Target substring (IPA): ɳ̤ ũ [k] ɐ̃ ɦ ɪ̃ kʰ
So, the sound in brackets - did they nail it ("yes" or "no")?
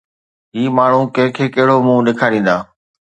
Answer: yes